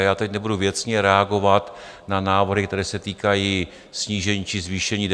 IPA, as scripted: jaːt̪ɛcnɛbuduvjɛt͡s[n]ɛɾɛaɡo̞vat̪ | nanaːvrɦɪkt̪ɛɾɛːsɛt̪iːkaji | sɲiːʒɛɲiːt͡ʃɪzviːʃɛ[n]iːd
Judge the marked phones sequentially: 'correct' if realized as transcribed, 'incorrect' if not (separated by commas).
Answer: incorrect, incorrect